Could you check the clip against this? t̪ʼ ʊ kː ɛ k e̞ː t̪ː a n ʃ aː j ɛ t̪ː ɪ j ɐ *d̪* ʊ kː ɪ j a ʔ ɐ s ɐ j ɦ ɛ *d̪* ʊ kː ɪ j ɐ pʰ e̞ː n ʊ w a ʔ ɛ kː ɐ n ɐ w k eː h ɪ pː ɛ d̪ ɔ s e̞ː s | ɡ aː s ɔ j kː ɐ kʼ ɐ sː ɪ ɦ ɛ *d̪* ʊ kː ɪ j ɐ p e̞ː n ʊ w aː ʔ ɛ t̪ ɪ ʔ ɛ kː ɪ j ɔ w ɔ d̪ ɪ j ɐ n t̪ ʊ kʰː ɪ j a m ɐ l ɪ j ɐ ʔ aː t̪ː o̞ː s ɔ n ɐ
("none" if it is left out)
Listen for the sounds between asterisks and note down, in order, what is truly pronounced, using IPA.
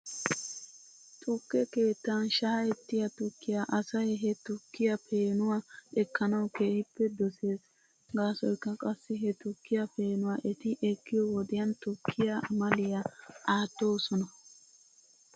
t̪, t̪, t̪

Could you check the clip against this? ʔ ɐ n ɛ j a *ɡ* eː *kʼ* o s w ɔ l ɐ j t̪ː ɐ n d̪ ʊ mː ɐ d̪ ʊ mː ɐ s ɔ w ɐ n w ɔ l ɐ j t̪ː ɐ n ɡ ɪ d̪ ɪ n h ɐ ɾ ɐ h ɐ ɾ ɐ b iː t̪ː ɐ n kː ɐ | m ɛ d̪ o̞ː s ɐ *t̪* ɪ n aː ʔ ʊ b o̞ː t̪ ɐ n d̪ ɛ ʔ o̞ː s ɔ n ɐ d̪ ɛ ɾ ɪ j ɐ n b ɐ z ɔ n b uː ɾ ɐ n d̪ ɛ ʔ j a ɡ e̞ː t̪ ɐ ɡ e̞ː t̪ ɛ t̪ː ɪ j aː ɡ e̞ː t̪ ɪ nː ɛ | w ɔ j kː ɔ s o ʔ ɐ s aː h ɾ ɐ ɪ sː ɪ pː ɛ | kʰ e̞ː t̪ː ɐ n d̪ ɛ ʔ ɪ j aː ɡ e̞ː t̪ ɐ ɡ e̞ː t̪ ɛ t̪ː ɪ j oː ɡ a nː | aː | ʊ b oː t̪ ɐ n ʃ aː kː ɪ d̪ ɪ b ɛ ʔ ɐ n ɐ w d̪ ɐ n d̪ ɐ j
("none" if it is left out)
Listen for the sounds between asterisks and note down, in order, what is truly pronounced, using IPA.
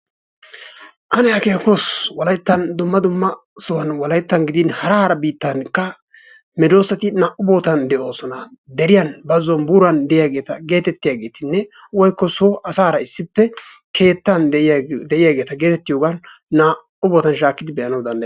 k, k, t̪

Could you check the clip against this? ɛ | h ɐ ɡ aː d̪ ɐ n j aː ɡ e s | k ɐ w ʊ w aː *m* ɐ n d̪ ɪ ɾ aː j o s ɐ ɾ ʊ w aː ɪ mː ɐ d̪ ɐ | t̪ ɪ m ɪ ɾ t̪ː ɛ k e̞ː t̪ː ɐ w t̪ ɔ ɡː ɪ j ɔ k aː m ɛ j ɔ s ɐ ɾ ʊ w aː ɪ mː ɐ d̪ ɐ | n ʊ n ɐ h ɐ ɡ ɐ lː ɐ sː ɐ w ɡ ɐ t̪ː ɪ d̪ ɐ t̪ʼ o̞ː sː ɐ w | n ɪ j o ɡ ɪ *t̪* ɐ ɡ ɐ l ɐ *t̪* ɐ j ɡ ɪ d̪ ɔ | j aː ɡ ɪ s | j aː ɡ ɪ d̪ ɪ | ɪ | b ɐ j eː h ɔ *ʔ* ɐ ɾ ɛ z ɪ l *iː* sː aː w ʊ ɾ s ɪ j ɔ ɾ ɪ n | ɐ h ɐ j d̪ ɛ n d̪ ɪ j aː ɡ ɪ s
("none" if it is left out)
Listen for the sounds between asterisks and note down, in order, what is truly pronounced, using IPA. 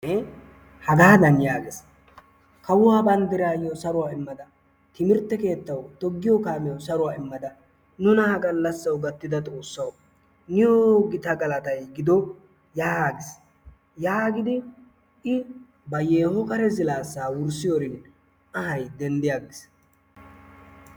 b, t̪, t̪, k, aː

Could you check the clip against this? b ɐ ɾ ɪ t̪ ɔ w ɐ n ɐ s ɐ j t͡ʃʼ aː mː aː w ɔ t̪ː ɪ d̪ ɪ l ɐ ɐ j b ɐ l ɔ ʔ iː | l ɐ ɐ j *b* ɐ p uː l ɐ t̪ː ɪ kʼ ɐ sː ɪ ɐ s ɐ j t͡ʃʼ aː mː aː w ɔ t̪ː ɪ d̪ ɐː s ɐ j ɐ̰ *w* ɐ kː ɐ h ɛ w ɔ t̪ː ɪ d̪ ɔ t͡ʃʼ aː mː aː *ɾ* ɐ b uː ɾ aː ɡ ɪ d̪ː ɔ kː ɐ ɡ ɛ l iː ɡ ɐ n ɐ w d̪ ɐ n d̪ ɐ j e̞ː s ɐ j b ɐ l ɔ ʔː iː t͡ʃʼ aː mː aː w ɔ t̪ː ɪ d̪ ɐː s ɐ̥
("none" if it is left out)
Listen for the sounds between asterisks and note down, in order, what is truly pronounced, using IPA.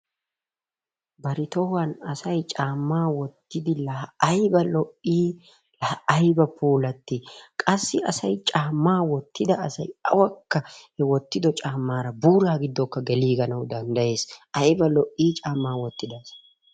b, w, ɾ

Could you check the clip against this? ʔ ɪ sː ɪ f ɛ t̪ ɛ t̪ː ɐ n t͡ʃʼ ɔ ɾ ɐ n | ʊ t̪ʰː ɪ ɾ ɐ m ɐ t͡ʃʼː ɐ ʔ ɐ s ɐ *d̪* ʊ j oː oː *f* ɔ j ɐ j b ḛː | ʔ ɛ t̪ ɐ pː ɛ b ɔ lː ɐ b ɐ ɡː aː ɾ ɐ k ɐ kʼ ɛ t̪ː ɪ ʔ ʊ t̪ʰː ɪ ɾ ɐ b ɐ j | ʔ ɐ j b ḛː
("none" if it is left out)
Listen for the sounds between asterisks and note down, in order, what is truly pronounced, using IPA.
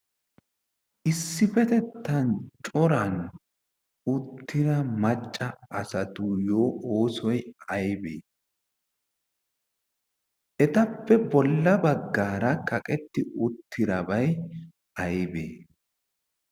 t̪, s

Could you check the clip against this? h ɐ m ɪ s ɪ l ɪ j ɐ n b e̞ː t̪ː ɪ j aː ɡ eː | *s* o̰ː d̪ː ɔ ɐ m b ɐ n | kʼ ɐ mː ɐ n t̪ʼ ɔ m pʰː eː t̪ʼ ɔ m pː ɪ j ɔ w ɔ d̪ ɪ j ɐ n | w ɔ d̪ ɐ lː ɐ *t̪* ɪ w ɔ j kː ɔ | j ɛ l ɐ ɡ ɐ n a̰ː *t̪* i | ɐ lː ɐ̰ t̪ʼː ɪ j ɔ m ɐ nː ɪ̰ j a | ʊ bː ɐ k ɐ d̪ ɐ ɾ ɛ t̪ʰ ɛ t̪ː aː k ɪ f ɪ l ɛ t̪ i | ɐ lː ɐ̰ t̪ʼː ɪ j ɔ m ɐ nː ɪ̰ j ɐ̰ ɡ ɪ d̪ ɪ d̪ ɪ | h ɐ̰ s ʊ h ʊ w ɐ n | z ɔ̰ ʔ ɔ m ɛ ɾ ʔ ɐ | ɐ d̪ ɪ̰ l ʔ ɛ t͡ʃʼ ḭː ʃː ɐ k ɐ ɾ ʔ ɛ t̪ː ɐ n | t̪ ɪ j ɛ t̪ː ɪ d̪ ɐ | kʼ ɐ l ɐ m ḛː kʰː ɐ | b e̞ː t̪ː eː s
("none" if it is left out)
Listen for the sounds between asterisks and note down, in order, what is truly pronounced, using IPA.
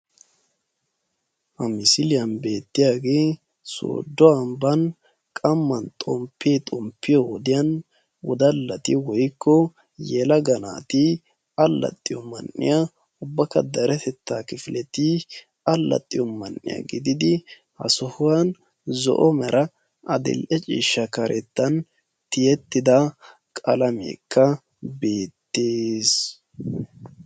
s, t̪, t̪

